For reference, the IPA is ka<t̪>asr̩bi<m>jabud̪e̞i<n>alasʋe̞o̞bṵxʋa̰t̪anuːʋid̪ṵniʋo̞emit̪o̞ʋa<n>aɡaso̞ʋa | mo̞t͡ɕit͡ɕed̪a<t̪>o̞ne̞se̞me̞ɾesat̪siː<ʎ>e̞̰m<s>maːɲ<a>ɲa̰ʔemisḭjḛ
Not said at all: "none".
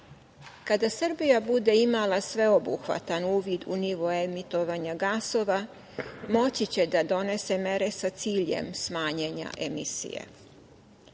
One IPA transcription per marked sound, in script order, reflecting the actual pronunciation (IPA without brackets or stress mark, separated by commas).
d̪, none, m, ɲ, d̪, ʎ, s, e